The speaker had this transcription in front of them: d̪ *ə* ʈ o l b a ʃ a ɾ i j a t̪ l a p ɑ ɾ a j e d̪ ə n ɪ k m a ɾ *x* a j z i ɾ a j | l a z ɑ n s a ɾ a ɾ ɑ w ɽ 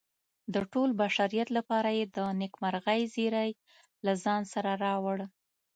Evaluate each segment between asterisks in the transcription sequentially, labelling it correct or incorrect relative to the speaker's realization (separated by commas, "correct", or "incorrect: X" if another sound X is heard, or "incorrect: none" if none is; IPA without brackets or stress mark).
correct, incorrect: ɣ